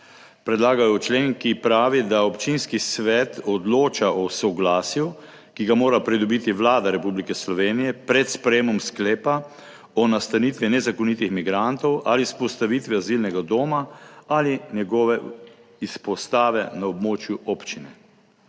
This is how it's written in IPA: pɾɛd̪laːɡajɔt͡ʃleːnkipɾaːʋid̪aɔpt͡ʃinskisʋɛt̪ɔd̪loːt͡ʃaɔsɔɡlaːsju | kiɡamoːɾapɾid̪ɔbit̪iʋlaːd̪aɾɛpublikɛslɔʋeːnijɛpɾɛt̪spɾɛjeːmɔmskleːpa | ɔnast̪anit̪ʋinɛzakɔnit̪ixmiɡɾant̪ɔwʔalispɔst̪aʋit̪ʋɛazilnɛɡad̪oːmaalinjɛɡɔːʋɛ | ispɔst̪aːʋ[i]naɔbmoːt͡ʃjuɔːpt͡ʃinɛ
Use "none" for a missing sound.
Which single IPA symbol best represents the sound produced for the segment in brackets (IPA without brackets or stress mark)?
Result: ɛ